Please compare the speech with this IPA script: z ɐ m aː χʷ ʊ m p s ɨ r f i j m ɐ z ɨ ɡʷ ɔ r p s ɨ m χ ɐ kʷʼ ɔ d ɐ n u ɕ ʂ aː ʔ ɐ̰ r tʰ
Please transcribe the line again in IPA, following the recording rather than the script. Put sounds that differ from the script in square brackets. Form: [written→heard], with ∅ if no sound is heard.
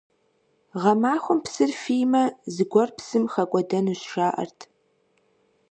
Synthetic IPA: [z→ʁ] ɐ m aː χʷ ʊ m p s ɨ r f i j m ɐ z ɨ ɡʷ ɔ r p s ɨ m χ ɐ kʷʼ ɔ d ɐ n u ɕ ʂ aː ʔ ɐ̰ r tʰ